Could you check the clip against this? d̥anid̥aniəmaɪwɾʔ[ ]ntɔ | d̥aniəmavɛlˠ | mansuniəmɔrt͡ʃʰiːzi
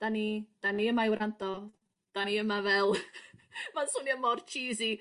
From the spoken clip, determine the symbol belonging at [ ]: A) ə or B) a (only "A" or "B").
B